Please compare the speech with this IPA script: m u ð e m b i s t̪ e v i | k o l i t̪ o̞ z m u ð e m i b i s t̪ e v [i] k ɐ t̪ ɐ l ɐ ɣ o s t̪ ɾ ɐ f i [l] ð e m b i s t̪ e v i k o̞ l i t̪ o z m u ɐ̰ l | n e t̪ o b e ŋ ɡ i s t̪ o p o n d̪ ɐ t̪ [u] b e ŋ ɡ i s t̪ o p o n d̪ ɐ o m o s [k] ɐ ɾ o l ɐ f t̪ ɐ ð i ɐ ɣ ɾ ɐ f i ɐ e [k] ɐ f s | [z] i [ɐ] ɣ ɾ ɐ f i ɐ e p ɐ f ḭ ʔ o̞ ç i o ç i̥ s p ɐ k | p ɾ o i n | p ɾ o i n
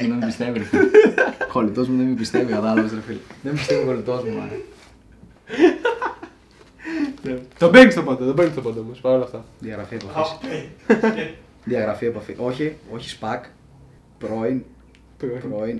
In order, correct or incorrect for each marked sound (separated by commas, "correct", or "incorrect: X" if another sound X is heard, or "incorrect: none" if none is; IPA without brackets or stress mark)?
correct, correct, incorrect: o, incorrect: p, incorrect: p, incorrect: ð, correct